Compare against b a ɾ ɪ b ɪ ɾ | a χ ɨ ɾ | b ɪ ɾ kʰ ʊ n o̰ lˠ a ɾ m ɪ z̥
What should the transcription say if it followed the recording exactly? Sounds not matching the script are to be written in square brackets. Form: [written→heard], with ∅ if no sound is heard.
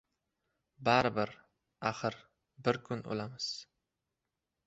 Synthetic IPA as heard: b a ɾ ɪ b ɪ ɾ | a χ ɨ ɾ | b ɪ ɾ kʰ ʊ n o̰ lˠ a [ɾ→∅] m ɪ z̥